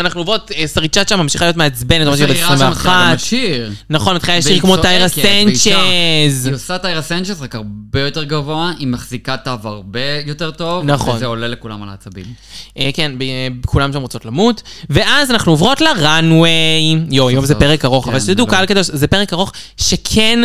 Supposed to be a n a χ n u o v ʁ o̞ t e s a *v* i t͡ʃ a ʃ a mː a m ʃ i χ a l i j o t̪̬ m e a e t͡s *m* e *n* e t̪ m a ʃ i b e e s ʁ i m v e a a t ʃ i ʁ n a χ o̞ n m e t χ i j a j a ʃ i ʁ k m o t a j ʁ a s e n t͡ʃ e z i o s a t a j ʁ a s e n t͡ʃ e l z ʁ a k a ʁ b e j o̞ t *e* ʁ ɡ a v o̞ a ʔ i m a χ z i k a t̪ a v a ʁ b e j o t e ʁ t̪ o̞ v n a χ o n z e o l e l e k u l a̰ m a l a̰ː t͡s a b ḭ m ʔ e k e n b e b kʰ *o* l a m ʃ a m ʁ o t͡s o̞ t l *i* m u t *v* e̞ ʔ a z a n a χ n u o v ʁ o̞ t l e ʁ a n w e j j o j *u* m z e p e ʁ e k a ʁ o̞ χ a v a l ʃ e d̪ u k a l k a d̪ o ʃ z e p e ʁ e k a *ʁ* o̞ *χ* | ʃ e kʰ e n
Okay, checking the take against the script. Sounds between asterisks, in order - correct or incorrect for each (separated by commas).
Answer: incorrect, incorrect, correct, correct, incorrect, incorrect, correct, incorrect, correct, correct